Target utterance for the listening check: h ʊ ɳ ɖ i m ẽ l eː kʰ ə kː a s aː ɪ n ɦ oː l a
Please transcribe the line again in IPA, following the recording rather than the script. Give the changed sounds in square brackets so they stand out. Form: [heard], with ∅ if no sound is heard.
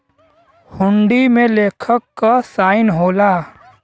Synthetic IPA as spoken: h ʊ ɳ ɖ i m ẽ l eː kʰ ə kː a s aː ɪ n ɦ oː l a

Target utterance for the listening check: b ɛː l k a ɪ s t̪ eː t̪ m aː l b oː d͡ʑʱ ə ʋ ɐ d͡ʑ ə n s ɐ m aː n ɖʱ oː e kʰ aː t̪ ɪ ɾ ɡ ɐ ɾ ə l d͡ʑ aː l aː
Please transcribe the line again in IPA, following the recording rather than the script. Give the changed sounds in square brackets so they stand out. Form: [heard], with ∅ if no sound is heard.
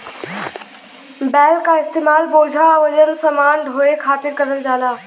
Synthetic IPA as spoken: b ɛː l k a ɪ s t̪ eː [∅] m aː l b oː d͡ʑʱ [a] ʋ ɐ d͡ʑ ə n s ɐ m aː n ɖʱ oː e kʰ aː t̪ ɪ ɾ [k] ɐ ɾ ə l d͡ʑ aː l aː

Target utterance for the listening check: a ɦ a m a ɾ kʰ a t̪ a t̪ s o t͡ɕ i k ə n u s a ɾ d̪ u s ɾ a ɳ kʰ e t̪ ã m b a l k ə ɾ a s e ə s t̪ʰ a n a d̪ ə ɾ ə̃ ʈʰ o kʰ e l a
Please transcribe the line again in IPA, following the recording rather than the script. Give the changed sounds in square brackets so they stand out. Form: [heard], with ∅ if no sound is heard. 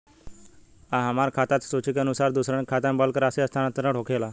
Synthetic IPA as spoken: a ɦ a m a ɾ kʰ a t̪ a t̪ s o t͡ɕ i k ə n u s a ɾ d̪ u s ɾ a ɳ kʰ [a] t̪ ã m b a l k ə ɾ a s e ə s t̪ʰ a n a [t̪] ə ɾ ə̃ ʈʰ o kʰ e l a

